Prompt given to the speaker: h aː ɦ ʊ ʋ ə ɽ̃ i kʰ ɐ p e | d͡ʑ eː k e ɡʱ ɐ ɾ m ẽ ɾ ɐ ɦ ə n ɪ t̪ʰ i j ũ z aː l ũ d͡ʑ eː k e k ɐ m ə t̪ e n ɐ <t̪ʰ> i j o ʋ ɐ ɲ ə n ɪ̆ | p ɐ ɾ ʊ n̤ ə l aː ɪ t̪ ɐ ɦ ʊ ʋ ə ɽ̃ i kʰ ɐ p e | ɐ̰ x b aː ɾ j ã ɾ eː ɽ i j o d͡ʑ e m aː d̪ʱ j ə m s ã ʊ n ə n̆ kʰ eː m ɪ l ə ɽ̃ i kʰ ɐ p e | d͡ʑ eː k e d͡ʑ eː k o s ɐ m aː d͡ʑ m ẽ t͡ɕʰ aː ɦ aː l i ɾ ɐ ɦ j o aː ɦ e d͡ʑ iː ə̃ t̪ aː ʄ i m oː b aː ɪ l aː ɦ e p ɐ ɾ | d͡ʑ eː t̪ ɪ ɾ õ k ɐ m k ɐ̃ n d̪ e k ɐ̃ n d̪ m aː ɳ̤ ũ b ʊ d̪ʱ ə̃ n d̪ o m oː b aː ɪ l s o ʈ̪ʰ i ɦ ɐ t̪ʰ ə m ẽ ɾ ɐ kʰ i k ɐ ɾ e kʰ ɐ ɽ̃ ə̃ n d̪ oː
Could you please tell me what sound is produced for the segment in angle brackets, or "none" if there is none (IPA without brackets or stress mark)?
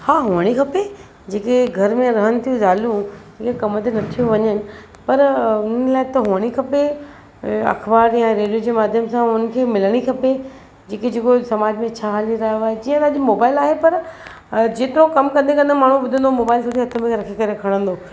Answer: t̪ʰ